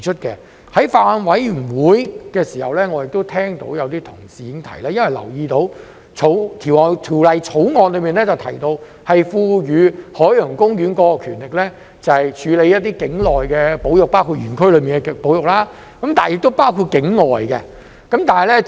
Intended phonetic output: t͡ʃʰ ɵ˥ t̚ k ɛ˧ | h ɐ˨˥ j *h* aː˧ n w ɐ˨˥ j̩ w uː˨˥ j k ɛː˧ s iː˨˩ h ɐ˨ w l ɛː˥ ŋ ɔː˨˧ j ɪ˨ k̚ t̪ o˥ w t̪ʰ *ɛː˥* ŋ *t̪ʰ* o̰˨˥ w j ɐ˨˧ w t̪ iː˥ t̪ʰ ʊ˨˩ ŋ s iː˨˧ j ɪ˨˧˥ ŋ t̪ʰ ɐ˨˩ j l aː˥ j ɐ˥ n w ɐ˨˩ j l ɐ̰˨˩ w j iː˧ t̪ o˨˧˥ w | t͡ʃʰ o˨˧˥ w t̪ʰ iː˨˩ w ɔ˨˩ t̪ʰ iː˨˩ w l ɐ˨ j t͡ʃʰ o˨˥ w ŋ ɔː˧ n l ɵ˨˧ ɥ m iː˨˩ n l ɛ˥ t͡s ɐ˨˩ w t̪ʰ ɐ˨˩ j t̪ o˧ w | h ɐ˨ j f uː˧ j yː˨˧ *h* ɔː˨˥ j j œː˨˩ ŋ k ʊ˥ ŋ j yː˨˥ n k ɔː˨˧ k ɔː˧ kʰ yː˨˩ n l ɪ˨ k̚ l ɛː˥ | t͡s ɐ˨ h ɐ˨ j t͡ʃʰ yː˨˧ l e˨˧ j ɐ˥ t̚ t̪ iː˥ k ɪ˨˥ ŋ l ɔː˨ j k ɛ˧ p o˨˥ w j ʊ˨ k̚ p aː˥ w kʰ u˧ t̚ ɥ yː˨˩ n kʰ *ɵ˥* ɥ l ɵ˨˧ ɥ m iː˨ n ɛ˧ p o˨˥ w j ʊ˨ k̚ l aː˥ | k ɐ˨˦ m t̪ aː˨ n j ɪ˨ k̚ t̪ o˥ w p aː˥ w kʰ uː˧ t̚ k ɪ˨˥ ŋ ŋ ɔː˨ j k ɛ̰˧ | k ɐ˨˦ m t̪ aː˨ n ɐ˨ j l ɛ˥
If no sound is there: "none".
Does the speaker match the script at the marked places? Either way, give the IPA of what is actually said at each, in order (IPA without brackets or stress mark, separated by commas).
f, ɛː˥, t̪, h, ɵ˥